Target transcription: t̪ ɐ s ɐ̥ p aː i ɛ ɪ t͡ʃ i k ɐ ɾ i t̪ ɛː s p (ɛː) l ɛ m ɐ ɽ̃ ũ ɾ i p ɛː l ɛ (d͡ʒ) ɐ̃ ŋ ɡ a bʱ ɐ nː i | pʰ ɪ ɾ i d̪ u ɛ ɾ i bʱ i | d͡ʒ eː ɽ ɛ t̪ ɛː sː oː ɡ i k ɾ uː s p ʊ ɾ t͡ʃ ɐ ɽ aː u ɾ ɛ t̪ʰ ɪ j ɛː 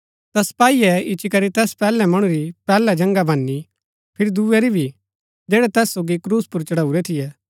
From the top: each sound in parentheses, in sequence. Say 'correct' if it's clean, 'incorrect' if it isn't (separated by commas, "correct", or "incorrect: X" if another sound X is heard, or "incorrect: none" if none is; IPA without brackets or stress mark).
correct, correct